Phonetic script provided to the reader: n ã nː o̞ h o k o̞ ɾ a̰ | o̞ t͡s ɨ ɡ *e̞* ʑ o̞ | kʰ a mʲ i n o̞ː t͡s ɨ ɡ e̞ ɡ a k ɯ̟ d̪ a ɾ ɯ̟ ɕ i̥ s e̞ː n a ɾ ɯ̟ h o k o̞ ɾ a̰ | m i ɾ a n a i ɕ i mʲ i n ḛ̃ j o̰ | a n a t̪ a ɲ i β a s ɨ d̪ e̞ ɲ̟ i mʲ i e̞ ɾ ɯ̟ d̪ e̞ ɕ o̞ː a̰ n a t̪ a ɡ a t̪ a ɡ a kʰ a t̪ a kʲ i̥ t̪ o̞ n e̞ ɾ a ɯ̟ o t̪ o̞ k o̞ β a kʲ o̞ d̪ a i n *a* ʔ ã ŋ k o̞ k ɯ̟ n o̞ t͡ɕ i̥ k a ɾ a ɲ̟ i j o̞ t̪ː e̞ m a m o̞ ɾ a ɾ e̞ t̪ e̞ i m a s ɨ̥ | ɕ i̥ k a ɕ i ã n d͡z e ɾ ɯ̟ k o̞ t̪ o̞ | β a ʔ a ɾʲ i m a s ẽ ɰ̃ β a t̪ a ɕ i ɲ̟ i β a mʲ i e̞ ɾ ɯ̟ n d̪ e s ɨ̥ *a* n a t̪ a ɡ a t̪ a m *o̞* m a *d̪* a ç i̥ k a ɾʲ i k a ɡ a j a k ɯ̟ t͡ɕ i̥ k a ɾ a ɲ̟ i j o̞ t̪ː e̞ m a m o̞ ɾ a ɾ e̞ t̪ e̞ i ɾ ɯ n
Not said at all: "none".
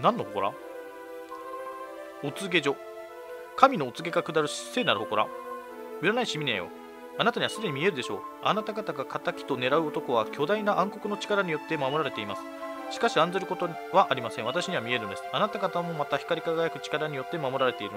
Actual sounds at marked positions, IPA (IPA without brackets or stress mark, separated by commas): e̞, a, a, o̞, t̪